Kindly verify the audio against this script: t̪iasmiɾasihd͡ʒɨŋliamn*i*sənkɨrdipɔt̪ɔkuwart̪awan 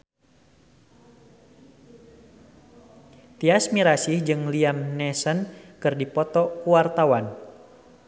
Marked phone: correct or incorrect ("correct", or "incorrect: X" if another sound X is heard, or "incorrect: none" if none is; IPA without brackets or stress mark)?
incorrect: ɛ